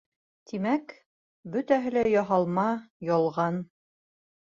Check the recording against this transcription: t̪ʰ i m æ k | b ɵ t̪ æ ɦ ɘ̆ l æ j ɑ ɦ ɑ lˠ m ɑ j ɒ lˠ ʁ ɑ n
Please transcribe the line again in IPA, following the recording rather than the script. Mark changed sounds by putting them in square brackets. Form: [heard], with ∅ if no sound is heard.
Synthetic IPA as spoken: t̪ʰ i m æ k | b ɵ t̪ æ ɦ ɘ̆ l æ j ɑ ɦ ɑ lˠ m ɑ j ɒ lˠ ʁ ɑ n